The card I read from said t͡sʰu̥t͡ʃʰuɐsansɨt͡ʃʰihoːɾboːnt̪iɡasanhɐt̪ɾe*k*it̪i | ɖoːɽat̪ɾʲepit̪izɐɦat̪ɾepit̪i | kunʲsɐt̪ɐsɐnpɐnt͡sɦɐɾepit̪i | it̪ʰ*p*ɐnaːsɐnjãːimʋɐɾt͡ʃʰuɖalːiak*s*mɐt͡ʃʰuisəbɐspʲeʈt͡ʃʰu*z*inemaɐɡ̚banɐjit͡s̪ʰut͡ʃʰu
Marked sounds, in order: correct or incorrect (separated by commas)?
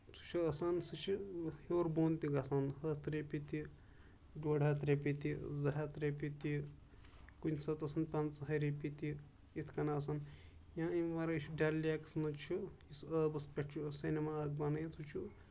incorrect, incorrect, correct, incorrect